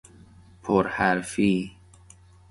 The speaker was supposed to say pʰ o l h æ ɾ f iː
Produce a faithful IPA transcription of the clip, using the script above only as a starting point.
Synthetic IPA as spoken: pʰ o ɾ h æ ɾ f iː